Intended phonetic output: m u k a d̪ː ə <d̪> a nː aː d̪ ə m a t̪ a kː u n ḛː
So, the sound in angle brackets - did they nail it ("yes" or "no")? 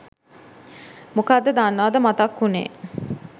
yes